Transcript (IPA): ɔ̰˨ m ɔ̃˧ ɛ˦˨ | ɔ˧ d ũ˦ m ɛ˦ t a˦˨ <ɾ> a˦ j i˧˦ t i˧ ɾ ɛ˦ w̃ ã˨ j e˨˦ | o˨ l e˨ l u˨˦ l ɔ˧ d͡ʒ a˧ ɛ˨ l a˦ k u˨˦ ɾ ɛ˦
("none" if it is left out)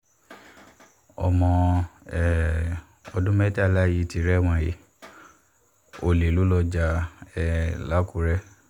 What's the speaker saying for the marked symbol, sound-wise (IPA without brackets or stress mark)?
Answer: l